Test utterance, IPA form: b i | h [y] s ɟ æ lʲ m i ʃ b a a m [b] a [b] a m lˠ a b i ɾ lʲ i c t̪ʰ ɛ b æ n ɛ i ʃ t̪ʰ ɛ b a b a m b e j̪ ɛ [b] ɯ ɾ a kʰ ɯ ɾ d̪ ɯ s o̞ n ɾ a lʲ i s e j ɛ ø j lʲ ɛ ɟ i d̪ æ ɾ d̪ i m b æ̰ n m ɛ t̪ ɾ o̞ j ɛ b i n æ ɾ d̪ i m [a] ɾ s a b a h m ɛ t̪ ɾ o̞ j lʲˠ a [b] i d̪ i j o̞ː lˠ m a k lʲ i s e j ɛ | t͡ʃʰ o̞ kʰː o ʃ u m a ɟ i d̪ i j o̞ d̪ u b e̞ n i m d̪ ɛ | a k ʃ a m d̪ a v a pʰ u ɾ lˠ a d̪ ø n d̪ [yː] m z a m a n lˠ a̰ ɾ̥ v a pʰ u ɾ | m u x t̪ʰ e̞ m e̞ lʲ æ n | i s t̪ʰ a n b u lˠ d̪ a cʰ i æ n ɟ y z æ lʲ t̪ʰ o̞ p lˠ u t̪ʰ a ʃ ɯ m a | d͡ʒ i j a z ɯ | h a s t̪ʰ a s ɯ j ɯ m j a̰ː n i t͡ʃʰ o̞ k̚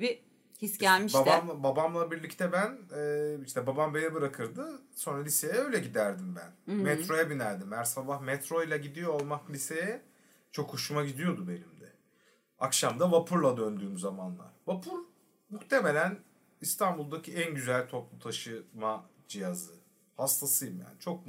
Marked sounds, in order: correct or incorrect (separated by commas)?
incorrect, correct, correct, correct, incorrect, incorrect, correct